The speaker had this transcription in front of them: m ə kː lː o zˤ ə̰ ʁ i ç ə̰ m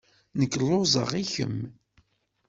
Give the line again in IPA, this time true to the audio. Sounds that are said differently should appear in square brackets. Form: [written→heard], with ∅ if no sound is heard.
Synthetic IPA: [m→n] ə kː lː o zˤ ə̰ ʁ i ç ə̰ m